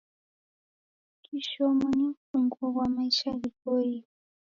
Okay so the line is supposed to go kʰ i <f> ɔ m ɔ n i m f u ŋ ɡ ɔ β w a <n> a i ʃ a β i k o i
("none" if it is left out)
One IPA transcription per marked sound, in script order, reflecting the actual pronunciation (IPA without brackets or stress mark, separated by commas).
ʃ, m